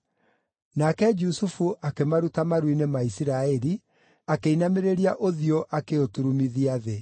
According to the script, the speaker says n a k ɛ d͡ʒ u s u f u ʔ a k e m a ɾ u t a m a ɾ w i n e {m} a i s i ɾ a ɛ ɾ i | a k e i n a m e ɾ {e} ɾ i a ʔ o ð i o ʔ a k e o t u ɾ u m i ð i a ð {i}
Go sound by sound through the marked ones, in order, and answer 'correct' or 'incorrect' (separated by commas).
correct, correct, incorrect